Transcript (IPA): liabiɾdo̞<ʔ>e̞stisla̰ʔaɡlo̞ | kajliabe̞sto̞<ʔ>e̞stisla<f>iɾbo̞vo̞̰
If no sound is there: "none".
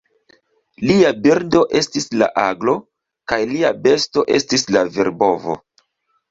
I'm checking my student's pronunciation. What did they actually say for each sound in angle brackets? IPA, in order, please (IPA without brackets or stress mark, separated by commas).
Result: ʔ, ʔ, v